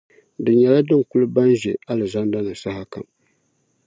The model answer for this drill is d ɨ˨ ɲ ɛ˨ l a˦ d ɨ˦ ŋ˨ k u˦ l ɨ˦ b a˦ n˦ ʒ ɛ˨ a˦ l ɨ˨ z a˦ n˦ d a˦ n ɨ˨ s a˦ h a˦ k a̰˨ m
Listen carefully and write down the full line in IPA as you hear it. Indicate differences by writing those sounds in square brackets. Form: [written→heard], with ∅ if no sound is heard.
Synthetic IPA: d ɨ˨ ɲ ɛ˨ l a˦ d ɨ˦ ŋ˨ k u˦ l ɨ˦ b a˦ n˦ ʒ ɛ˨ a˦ l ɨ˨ z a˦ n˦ d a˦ n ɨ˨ s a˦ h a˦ k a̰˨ m

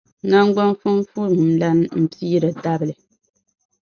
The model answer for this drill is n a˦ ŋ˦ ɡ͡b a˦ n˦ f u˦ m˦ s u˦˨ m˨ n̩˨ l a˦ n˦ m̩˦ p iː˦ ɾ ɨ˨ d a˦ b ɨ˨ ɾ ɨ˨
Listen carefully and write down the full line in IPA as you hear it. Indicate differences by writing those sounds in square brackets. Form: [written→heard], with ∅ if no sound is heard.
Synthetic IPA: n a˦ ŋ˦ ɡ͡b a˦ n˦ f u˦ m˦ [s→f] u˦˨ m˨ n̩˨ l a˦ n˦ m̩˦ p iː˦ ɾ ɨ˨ d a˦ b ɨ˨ [ɾ→l] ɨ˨

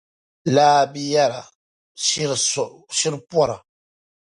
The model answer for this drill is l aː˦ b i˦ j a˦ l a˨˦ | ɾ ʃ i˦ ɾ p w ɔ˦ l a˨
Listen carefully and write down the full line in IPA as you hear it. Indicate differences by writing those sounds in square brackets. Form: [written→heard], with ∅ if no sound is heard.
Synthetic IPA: l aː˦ b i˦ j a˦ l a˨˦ | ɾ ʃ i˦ ɾ p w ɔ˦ [l→ɾ] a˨

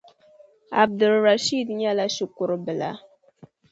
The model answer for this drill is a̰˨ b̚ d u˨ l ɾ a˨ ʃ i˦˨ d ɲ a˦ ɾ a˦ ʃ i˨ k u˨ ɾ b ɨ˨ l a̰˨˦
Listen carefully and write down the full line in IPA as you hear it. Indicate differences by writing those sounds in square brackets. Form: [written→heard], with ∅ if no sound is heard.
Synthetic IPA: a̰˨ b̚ d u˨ l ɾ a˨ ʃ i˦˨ d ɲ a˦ [ɾ→l] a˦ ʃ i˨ k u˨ ɾ b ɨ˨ l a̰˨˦

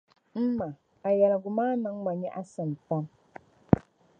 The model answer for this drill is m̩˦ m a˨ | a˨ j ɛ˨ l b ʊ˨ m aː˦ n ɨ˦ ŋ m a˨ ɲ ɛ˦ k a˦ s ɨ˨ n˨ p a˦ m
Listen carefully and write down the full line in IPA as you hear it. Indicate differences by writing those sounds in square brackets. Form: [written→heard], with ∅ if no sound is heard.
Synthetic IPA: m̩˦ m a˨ | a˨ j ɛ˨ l [b→ɡ] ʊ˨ m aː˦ n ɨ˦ ŋ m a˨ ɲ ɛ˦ [k→ʔ] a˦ s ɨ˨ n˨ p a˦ m

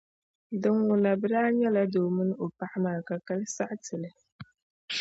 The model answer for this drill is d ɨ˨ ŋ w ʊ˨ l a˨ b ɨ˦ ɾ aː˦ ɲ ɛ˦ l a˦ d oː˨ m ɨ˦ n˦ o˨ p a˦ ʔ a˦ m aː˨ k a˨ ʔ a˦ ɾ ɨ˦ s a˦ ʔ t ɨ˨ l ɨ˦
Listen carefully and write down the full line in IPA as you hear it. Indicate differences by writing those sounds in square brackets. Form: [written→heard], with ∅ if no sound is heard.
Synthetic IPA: d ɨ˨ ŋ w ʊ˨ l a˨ b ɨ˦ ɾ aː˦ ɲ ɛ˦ l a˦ d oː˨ m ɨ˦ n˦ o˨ p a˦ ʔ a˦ m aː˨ k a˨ [ʔ→k] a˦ [ɾ→l] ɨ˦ s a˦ ʔ t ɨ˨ l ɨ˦

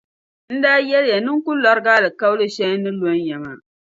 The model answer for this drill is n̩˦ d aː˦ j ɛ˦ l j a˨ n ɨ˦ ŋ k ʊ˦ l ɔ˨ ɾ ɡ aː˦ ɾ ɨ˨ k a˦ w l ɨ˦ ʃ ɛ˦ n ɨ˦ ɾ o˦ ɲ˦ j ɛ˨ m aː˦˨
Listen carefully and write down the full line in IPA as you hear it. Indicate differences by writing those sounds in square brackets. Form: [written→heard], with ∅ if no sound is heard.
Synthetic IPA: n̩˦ d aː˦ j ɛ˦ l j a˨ n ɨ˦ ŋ k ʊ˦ l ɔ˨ ɾ ɡ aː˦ [ɾ→l] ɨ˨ k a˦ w l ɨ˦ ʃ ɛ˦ n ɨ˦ [ɾ→l] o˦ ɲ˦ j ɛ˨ m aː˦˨

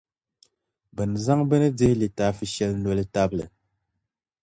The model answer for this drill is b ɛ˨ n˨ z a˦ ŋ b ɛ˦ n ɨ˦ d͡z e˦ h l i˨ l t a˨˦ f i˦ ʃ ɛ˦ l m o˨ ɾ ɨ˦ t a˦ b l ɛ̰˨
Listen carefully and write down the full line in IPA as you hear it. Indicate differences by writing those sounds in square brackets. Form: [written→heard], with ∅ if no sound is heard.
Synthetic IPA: b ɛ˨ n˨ z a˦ ŋ b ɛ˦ n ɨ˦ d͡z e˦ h l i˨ [l→∅] t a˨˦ f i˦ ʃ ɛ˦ l [m→n] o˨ [ɾ→l] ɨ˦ t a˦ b l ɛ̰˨

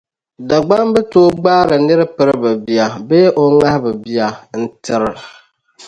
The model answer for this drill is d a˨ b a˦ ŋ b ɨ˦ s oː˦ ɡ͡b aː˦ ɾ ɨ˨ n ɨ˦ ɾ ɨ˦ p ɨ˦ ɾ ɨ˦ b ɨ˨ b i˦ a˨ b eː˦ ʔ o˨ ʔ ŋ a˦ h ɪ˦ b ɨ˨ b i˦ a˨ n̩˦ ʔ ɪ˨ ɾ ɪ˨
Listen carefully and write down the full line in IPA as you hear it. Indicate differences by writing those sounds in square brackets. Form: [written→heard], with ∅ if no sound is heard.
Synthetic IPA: d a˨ [b→ɡ͡b] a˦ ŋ b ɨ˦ [s→t] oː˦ ɡ͡b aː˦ ɾ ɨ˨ n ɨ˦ ɾ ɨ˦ p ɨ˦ ɾ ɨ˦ b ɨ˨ b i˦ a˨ b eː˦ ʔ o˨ [ʔ→∅] ŋ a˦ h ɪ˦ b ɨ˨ b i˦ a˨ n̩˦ [ʔ→t] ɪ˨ ɾ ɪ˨

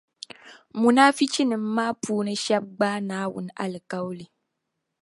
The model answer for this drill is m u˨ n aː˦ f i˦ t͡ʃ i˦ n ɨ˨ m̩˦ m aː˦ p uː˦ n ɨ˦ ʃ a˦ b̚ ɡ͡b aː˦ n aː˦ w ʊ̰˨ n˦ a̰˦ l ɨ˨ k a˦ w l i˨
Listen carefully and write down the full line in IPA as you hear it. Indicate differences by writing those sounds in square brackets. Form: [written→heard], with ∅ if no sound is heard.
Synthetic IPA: m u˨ n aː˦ f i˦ t͡ʃ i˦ n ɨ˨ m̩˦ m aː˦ p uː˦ n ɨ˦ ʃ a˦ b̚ ɡ͡b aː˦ n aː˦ w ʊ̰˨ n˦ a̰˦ l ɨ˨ k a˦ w l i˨

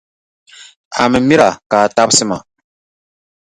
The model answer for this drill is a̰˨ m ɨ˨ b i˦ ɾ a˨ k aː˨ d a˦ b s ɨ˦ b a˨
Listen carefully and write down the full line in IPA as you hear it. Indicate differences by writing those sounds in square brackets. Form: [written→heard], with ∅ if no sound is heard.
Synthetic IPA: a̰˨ m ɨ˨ [b→m] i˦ ɾ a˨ k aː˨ [d→t] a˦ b s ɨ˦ [b→m] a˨

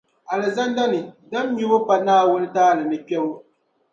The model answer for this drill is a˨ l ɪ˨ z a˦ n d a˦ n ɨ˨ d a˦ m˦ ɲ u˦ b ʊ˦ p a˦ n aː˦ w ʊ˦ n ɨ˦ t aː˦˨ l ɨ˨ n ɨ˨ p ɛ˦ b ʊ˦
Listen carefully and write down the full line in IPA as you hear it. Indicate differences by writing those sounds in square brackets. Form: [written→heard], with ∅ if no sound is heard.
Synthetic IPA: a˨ l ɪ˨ z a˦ n d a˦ n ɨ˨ d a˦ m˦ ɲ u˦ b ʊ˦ p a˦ n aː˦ w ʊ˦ n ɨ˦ t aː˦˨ l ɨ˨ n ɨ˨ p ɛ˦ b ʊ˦

